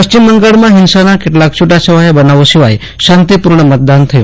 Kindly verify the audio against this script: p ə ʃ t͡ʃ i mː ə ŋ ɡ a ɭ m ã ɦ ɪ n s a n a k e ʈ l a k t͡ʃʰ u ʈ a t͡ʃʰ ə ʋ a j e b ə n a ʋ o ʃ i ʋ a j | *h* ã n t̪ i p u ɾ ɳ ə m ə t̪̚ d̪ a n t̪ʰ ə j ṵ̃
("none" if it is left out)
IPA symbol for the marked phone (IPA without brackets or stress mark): ʃ